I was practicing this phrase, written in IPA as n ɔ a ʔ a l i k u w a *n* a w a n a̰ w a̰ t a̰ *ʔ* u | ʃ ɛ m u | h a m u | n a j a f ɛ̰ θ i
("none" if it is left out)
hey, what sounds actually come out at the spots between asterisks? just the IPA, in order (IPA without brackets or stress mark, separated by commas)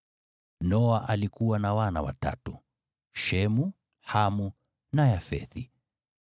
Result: n, t